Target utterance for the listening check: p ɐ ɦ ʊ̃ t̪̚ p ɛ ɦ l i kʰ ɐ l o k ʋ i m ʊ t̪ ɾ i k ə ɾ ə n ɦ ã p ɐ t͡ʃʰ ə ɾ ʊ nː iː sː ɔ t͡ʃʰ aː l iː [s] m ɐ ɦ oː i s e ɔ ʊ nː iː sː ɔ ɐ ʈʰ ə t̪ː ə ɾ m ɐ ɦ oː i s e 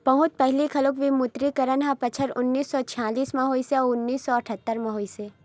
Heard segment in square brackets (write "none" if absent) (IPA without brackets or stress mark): s